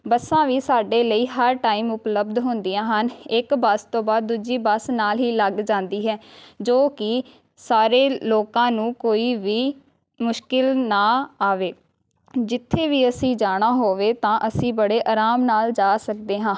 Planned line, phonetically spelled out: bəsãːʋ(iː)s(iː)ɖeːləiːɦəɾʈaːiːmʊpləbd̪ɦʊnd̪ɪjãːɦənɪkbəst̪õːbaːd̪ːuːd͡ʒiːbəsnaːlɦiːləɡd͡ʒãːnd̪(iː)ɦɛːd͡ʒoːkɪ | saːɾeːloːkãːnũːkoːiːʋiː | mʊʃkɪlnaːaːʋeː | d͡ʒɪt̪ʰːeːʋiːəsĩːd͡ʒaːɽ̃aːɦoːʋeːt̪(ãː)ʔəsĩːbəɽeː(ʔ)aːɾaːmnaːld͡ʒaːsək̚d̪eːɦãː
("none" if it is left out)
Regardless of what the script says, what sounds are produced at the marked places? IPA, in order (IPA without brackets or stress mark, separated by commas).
iː, aː, iː, ãː, ʔ